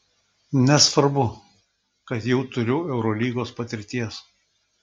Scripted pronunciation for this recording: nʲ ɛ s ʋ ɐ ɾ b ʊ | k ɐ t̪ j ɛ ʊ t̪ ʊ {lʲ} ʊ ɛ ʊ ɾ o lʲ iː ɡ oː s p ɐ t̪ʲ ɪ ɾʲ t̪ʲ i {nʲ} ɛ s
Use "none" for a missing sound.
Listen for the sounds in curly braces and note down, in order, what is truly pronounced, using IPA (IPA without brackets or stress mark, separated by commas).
ɾʲ, none